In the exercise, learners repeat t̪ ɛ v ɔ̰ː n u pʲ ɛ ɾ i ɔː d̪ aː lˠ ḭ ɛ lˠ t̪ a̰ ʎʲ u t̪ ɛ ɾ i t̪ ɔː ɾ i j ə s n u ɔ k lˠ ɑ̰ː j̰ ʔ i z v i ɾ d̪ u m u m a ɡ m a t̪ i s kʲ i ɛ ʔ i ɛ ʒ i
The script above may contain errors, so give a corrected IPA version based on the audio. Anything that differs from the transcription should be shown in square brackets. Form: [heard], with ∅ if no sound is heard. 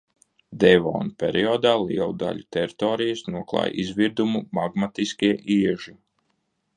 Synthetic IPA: [d̪] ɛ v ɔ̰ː n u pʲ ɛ ɾ i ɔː d̪ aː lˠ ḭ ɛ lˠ [d̪] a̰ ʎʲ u t̪ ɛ ɾ i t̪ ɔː ɾ i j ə s n u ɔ k lˠ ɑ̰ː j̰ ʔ i z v i ɾ d̪ u m u m a ɡ m a t̪ i s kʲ i ɛ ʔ i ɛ ʒ i